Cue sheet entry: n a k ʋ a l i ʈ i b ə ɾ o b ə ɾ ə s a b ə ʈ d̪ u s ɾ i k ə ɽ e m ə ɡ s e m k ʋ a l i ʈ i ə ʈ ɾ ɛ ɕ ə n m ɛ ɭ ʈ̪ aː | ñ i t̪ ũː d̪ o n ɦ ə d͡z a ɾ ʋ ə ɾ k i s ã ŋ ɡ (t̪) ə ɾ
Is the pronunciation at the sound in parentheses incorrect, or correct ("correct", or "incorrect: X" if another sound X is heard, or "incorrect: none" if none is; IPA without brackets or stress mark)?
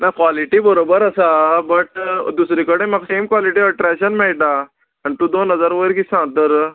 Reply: correct